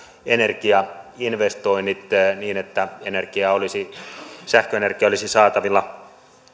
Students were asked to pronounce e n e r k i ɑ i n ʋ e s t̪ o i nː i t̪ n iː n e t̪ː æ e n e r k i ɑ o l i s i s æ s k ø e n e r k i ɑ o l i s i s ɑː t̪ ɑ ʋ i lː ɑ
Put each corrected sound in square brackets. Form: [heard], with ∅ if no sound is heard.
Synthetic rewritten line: e n e r k i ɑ i n ʋ e s t̪ o i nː i t̪ n iː n e t̪ː æ e n e r k i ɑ o l i s i s æ [h] k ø e n e r k i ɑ o l i s i s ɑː t̪ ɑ ʋ i lː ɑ